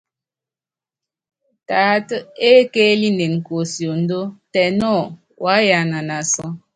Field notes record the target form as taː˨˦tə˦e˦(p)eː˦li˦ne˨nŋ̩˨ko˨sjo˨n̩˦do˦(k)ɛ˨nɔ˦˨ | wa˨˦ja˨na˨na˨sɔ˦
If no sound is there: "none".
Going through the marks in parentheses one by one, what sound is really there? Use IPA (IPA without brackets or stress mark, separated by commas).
k, t